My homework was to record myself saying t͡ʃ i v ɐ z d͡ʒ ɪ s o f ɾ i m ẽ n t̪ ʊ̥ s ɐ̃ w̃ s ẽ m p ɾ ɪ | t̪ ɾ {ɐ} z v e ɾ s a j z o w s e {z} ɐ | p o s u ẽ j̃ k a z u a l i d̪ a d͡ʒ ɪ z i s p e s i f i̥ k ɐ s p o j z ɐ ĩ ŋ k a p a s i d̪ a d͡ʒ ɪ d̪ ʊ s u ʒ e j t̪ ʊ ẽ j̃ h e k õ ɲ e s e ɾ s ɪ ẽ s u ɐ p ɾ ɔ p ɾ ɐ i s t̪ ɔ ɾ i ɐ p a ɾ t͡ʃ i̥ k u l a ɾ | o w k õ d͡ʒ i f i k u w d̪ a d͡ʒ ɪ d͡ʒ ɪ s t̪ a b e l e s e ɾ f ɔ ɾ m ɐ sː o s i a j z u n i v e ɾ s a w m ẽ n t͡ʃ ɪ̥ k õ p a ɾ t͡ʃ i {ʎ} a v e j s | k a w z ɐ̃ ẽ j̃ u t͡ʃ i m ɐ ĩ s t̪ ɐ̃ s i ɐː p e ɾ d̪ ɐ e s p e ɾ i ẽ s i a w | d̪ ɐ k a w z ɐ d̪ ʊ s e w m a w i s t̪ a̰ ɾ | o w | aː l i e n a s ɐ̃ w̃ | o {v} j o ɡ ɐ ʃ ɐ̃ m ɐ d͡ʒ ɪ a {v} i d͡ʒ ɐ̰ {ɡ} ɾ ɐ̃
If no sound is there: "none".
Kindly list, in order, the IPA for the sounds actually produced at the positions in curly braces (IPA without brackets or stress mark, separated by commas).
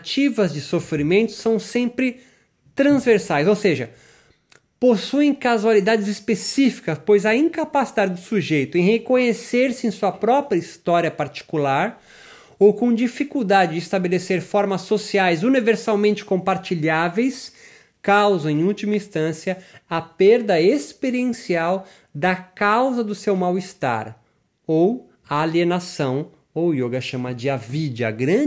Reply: ɐ̃, ʒ, ʎ, w, v, ɡ